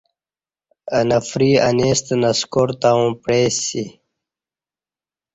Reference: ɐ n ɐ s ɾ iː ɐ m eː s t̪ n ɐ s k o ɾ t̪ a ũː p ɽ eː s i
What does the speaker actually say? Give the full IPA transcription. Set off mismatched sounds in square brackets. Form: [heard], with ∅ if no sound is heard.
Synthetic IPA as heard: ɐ n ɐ [f] ɾ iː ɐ [n] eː s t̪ n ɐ s k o ɾ t̪ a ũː p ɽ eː s i